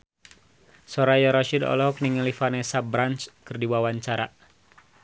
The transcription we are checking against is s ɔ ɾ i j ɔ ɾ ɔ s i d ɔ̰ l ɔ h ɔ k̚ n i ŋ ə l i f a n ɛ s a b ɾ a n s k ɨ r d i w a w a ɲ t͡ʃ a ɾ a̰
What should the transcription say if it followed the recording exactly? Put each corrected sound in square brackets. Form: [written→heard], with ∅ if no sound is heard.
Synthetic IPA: s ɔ ɾ [i→a] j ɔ ɾ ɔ [s→ʃ] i d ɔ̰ l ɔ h ɔ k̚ n i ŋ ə l i f a n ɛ s a b ɾ a n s k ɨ r d i w a w a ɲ t͡ʃ a ɾ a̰